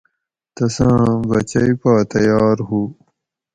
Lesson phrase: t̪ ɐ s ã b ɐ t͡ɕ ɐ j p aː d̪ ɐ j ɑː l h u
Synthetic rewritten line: t̪ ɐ s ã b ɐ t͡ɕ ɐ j p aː t̪ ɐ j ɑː ɾ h u